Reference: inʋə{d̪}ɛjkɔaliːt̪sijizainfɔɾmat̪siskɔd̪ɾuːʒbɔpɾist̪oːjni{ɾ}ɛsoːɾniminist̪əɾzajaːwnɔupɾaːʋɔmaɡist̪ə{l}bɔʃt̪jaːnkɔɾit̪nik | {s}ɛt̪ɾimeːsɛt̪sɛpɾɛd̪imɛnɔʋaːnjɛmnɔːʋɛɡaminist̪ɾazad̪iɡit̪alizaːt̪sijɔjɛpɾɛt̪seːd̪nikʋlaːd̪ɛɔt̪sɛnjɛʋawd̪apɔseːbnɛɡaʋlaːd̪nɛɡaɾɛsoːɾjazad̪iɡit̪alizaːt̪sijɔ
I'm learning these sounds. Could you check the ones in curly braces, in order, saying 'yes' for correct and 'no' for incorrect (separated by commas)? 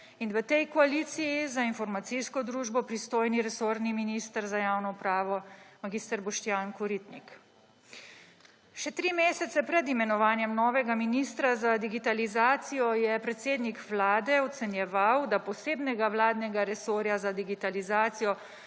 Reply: no, yes, no, no